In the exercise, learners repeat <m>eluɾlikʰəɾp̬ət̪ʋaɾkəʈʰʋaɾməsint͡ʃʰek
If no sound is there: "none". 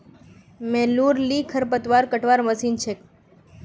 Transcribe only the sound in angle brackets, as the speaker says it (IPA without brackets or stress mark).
m